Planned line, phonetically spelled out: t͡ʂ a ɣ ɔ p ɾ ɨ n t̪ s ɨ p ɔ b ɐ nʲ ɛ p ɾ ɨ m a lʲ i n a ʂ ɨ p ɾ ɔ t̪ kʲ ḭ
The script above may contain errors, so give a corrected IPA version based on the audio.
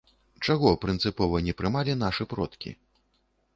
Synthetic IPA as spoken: t͡ʂ a ɣ ɔ p ɾ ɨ n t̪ s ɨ p ɔ v ɐ nʲ ɛ p ɾ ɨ m a lʲ i n a ʂ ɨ p ɾ ɔ t̪ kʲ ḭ